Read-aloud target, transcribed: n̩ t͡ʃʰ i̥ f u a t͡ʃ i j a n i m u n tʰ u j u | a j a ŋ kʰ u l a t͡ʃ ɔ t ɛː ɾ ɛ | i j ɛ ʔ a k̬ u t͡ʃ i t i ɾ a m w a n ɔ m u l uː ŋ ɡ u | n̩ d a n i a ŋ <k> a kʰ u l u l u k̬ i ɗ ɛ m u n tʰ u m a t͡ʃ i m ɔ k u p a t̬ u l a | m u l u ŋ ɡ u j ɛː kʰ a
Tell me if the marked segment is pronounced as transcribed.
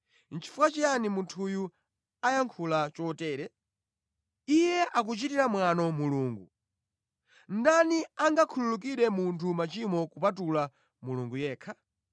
no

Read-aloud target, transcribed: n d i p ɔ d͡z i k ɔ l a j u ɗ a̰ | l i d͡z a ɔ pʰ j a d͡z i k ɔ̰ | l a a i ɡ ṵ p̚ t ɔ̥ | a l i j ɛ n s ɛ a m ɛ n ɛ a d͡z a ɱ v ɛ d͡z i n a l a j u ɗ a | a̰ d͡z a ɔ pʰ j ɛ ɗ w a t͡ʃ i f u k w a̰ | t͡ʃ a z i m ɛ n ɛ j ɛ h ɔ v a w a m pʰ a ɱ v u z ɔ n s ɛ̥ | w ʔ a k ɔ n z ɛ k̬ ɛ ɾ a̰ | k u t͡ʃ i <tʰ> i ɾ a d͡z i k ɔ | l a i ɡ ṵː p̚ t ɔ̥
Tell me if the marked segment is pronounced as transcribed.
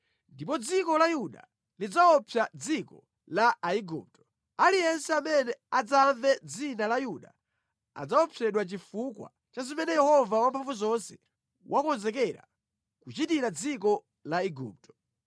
no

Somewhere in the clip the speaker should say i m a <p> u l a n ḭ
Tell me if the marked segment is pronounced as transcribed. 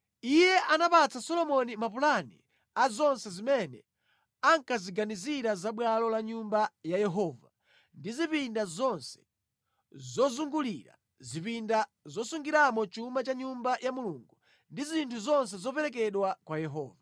yes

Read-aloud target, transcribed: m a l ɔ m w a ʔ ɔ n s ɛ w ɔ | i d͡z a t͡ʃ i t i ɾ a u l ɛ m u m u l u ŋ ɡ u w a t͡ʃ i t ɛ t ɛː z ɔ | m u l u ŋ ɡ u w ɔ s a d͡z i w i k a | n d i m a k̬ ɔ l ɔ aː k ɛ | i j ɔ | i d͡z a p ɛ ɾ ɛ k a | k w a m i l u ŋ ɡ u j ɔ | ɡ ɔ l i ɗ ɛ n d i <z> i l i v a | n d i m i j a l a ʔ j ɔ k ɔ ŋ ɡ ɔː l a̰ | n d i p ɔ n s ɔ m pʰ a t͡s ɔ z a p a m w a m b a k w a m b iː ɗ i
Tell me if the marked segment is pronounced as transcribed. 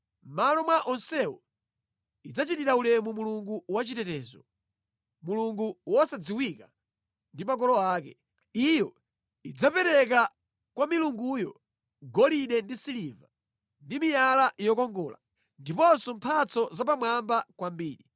no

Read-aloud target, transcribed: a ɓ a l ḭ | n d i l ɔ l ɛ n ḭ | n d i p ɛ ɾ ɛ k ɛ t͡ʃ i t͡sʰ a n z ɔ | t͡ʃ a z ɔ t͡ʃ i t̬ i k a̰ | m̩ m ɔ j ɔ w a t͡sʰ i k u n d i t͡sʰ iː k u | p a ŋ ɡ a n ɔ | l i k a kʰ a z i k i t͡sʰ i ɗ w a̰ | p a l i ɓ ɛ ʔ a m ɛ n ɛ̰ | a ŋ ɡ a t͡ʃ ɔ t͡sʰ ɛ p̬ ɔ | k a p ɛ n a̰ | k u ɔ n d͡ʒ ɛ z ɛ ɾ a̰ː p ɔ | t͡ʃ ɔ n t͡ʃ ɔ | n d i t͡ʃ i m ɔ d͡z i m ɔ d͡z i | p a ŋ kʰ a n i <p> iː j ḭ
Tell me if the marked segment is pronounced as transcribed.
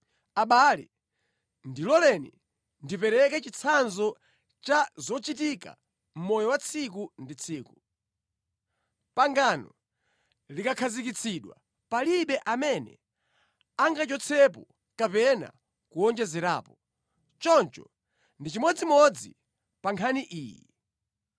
no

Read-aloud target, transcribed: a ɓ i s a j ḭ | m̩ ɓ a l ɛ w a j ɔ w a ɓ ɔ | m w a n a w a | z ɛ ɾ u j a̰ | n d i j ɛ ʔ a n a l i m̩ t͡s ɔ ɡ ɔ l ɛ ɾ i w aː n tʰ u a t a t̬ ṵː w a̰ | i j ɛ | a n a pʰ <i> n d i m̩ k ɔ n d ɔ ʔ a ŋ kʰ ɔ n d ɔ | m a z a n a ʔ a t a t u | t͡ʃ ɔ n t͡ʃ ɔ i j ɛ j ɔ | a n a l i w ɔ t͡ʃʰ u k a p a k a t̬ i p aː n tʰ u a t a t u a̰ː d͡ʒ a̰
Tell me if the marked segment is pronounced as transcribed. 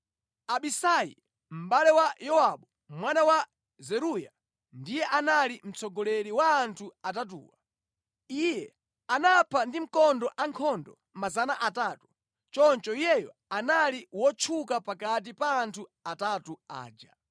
no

